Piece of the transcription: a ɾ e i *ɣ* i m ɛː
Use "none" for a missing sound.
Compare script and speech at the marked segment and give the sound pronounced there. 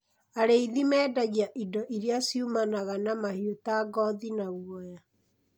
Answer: ð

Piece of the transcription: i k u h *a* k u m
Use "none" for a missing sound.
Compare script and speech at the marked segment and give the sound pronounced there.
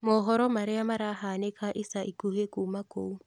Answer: e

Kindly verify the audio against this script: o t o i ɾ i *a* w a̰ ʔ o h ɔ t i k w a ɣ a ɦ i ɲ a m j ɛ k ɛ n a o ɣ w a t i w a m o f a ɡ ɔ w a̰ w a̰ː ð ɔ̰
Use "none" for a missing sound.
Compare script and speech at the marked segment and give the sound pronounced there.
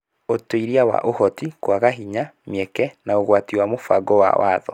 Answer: a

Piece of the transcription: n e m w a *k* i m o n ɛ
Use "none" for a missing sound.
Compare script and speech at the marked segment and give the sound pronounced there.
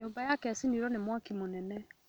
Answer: k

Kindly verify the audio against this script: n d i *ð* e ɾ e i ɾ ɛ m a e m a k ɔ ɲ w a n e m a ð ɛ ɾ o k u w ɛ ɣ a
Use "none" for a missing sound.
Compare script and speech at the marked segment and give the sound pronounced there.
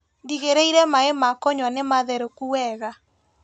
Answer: ɣ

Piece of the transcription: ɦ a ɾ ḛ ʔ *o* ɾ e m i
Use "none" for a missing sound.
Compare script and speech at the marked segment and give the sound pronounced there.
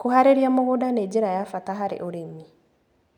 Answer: o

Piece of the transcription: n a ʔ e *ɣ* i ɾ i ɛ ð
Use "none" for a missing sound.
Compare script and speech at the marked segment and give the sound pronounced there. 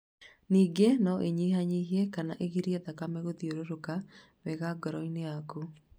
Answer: ɣ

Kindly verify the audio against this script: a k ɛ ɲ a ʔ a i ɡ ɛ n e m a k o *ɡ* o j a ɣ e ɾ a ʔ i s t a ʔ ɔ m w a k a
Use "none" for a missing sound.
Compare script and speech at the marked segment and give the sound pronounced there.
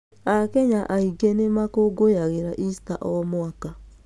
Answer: ɡ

